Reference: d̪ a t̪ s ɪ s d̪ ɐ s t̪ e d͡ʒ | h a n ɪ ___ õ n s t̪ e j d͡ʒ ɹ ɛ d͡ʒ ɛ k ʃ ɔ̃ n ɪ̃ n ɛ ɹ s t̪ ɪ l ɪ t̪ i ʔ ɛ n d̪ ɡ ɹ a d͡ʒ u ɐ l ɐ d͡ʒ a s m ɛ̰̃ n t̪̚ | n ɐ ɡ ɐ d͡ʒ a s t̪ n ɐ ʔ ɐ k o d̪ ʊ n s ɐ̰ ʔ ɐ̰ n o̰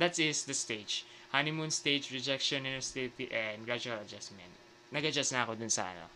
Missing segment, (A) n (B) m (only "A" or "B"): B